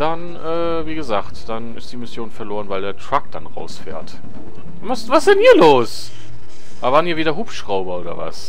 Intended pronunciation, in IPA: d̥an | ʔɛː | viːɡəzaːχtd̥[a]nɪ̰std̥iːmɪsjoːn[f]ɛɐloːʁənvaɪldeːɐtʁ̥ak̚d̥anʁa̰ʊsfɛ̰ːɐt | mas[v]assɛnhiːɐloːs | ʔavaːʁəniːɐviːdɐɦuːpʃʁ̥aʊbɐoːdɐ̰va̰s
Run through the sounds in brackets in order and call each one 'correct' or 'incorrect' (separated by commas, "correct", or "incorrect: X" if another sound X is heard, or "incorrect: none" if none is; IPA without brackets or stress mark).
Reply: correct, correct, correct